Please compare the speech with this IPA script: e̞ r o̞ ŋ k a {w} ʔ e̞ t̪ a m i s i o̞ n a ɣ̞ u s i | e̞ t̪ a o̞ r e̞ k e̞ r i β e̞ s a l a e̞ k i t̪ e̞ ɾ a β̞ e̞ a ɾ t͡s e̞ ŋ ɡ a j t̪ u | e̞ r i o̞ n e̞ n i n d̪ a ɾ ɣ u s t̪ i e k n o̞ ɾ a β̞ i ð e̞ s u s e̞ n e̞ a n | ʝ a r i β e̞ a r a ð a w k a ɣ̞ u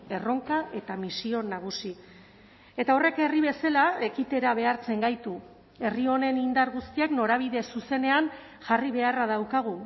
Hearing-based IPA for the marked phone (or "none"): none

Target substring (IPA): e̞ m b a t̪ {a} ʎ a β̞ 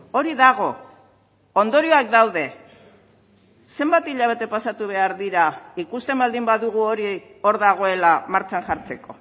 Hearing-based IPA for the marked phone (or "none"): i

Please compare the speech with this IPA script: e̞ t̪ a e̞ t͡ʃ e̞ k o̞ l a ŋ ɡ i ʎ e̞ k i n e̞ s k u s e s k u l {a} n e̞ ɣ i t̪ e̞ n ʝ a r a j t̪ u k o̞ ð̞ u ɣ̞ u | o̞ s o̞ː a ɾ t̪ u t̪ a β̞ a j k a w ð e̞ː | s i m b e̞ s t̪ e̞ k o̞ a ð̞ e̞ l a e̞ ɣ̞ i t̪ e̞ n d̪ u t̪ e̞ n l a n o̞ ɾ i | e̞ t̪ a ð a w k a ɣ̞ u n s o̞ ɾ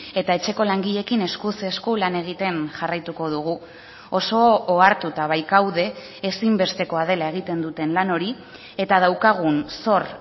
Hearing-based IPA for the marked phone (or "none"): a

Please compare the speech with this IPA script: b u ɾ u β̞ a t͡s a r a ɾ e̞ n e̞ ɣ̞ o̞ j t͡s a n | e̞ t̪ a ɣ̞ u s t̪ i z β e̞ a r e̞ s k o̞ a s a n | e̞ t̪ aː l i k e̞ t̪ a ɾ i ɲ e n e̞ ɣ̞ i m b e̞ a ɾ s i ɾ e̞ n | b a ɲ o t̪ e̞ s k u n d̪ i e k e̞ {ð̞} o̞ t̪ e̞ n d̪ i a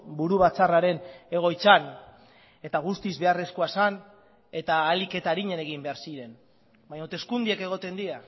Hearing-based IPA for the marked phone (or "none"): ɣ̞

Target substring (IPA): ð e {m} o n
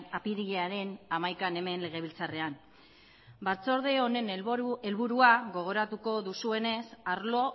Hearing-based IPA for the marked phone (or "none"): none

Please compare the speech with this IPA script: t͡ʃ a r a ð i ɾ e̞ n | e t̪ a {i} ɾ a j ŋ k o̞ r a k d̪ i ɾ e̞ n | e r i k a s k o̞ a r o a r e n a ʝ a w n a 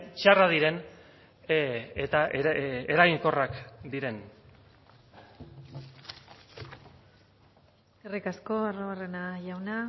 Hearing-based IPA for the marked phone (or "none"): e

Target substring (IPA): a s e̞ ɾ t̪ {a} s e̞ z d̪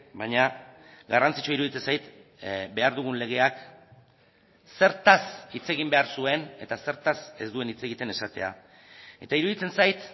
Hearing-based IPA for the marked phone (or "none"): a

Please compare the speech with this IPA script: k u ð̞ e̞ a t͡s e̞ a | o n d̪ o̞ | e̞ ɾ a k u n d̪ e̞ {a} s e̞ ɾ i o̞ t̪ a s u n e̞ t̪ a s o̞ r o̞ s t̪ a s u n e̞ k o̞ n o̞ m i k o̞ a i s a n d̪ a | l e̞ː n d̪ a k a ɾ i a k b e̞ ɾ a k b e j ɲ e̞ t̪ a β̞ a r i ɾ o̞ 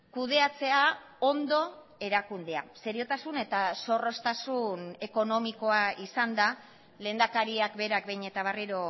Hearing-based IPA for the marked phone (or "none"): a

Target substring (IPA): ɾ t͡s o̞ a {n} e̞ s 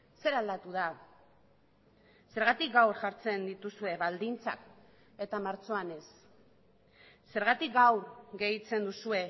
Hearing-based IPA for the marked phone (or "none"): n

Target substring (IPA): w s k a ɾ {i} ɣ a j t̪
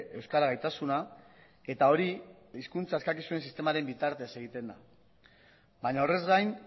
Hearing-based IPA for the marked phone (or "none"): a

